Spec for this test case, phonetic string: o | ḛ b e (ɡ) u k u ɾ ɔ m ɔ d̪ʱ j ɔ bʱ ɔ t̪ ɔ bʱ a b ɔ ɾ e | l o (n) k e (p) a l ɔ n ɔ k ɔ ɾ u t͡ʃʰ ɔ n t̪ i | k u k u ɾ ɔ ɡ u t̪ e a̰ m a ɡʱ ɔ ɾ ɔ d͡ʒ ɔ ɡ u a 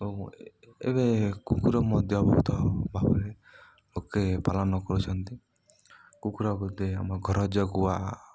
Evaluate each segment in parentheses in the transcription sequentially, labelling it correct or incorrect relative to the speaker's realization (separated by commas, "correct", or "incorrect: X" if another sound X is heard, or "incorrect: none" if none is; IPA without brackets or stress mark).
incorrect: k, incorrect: none, correct